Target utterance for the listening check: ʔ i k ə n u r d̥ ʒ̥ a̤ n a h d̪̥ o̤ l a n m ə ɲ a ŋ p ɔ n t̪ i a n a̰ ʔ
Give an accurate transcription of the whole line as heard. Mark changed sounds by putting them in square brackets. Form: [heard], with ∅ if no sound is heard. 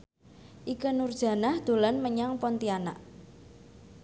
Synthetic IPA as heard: ʔ i k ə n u r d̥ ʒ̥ a̤ n a h d̪̥ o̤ l a n m ə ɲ a ŋ p ɔ n t̪ i a n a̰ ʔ